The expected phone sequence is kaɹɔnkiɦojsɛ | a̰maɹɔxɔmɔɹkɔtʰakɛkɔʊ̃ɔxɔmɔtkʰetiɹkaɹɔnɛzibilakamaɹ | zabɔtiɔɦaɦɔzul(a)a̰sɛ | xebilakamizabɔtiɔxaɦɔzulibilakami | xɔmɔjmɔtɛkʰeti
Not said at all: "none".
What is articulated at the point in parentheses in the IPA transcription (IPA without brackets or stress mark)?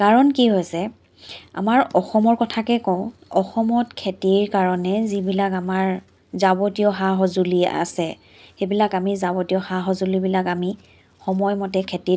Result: i